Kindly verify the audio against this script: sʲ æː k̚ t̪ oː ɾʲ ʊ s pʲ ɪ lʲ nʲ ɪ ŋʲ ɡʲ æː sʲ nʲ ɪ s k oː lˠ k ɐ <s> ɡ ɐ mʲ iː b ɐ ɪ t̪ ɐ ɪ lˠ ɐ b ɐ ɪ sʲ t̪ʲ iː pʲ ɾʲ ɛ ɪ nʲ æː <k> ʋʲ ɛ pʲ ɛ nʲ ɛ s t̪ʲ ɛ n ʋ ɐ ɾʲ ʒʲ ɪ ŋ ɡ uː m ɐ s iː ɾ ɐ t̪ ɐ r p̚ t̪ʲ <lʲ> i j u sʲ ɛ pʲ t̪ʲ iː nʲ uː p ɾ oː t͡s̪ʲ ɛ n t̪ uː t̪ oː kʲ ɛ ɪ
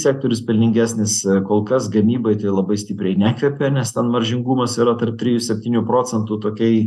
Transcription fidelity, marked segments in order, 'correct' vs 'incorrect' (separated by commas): correct, correct, incorrect